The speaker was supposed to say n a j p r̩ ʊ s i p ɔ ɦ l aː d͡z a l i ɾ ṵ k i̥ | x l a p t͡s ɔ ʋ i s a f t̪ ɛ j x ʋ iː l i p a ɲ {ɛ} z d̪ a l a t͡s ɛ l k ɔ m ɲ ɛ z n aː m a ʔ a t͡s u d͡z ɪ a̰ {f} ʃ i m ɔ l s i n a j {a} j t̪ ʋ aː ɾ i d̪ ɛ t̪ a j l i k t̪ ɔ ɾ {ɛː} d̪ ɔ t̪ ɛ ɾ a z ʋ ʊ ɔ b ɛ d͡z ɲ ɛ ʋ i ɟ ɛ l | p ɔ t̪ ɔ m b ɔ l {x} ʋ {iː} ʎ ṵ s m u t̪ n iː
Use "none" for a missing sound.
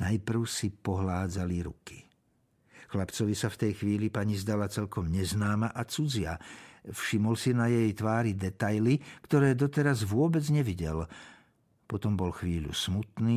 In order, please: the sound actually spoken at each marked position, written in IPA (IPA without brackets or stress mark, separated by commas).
i, f, ɛ, ɛː, x, iː